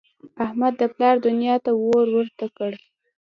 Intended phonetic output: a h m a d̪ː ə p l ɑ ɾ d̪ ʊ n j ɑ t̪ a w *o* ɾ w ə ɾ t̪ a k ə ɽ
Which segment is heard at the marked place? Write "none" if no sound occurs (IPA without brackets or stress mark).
o